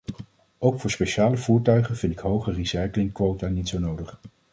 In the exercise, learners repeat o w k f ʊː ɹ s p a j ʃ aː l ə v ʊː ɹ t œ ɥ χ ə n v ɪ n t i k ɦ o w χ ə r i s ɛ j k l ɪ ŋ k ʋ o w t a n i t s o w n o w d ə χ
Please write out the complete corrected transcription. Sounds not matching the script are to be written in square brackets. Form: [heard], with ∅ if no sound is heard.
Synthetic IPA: o w k f ʊː ɹ s p [e] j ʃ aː l ə v [uː] ɹ t œ ɥ χ ə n v ɪ n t [ɪ] k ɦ o w χ ə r i s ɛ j k l ɪ ŋ k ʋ o w t a n i t s o w n o w d ə χ